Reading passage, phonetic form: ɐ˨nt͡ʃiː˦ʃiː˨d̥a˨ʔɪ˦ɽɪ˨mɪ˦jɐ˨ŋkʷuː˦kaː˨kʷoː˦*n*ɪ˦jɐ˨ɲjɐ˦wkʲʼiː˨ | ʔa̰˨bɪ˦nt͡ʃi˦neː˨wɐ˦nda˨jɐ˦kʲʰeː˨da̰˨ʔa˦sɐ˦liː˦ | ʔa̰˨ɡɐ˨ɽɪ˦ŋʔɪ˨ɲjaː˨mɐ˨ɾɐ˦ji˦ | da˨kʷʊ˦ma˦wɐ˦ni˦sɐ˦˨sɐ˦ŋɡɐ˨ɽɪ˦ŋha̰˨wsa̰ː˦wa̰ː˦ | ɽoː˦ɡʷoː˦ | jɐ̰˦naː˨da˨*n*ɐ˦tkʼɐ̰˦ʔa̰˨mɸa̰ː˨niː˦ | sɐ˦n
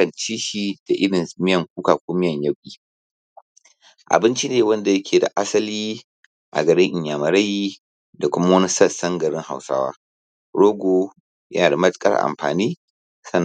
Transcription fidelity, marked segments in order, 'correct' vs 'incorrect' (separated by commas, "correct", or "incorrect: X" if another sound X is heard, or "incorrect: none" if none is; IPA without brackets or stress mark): incorrect: m, incorrect: m